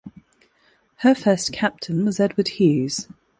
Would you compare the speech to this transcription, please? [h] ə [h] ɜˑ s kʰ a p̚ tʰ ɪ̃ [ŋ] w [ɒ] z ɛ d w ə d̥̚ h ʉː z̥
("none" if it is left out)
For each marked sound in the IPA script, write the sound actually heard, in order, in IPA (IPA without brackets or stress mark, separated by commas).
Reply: h, f, n, ɒ